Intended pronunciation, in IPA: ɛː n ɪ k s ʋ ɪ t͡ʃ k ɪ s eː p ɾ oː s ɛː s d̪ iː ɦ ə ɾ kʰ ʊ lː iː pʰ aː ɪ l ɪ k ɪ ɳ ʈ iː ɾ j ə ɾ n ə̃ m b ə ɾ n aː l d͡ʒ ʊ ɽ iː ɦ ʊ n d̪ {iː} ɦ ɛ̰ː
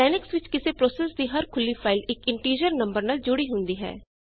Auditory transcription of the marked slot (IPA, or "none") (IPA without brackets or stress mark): iː